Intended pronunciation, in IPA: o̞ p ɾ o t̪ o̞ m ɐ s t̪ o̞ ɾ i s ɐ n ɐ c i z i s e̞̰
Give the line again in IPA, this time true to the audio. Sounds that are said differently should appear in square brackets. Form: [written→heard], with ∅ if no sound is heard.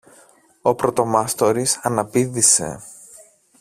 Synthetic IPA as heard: o̞ p ɾ o t̪ o̞ m ɐ s t̪ o̞ ɾ i s ɐ n ɐ [c→p] i [z→ð] i s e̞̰

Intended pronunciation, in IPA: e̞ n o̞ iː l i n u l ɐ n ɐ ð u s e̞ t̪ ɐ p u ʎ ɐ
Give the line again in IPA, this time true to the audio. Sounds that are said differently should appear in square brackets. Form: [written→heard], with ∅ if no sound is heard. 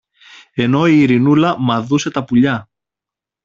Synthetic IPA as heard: e̞ n o̞ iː [l→ɾ] i n u l ɐ [n→m] ɐ ð u s e̞ t̪ ɐ p u ʎ ɐ

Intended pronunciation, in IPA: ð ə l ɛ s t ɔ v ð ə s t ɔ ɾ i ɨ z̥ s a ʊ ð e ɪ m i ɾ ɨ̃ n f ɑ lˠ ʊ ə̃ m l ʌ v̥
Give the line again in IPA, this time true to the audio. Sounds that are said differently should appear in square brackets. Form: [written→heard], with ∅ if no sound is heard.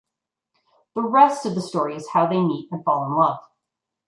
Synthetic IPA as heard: ð ə [l→ɹ] ɛ s t [ɔ→ʌ] v ð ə s t ɔ [ɾ→ɹ] i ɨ z̥ [s→h] a ʊ ð e ɪ m i ɾ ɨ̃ n f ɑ lˠ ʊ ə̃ [m→n] l ʌ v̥

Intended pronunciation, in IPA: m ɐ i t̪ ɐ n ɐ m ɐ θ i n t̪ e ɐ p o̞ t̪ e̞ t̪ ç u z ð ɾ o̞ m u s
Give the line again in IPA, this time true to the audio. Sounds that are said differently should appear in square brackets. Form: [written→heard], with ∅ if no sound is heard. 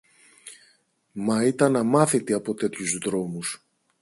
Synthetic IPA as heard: m ɐ i t̪ ɐ n ɐ m ɐ θ i [n→∅] t̪ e ɐ p o̞ t̪ e̞ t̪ ç u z ð ɾ o̞ m u s

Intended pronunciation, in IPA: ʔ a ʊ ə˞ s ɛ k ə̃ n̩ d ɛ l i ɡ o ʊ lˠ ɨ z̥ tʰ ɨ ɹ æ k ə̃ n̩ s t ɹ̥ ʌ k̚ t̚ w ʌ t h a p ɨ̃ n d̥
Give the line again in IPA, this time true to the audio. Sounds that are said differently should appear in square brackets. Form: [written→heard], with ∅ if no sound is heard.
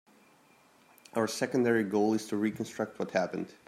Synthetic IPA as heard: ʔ a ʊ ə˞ s ɛ k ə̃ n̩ d ɛ [l→ɹ] i ɡ o ʊ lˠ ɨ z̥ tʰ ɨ ɹ [æ→i] k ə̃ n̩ s t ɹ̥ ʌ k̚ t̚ w ʌ t h [a→æ] p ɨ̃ n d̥

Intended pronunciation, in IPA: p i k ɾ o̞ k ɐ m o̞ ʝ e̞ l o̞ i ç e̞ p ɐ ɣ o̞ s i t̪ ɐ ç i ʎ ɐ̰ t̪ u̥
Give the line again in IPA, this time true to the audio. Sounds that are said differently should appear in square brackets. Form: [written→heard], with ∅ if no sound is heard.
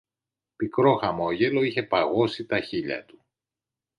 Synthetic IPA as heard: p i k ɾ o̞ [k→x] ɐ m o̞ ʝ e̞ l o̞ i ç e̞ p ɐ ɣ o̞ s i t̪ ɐ ç i ʎ ɐ̰ t̪ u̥

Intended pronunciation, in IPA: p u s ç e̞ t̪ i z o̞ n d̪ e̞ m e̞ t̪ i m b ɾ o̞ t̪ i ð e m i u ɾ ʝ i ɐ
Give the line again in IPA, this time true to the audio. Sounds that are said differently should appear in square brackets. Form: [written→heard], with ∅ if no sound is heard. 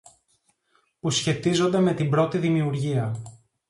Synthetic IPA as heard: p u s ç e̞ t̪ i z o̞ n d̪ e̞ m e̞ t̪ i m b ɾ o̞ t̪ i ð [e→i] m i u ɾ ʝ i ɐ

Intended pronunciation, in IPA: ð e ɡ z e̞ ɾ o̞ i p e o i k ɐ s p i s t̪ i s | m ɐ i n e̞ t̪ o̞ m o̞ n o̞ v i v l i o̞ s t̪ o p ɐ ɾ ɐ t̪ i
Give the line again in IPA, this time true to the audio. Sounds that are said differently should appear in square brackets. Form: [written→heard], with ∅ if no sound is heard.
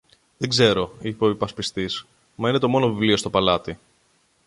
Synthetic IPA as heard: ð e ɡ z e̞ ɾ o̞ i p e o i [k→p] ɐ s p i s t̪ i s | m ɐ i n e̞ t̪ o̞ m o̞ n o̞ v i v l i o̞ s t̪ o p ɐ [ɾ→l] ɐ t̪ i

